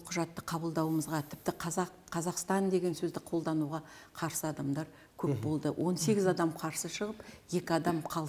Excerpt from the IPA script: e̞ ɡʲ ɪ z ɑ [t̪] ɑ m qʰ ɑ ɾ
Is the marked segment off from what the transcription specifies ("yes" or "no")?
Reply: yes